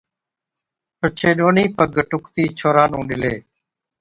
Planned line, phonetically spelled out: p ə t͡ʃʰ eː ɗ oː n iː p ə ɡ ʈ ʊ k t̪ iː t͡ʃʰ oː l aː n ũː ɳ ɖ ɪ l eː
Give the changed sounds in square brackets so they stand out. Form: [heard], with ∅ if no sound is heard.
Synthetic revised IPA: p ə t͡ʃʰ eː ɗ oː n iː p ə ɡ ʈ ʊ k t̪ iː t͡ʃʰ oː [ɾ] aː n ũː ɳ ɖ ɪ l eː